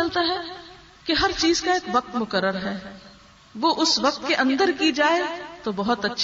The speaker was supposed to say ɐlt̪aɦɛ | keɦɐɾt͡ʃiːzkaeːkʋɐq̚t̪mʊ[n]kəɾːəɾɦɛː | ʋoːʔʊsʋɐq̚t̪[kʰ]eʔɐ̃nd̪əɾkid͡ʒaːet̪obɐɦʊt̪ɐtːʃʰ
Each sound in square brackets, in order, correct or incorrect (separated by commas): incorrect, incorrect